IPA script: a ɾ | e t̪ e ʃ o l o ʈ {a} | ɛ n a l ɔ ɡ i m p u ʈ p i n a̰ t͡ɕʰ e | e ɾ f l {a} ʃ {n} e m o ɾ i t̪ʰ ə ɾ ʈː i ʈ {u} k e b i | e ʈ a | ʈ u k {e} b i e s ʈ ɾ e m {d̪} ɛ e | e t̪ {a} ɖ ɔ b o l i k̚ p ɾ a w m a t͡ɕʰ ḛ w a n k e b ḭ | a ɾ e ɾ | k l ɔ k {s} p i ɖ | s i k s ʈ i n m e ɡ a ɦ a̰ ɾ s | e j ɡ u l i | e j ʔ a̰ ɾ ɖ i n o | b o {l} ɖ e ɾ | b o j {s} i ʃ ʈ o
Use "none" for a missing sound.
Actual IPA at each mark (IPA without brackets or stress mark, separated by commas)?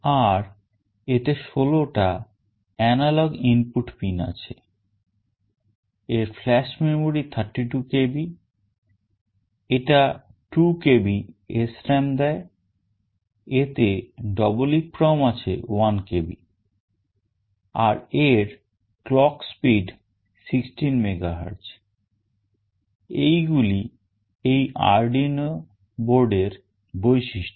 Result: a, ɛ, m, u, e, d̪, e, s, ɾ, ʃ